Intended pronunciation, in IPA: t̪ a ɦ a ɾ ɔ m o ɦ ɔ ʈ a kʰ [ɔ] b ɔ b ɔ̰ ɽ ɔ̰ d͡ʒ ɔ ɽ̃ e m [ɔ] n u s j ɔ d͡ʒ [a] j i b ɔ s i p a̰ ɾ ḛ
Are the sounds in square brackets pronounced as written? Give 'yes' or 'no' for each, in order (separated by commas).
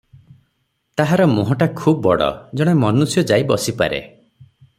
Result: no, yes, yes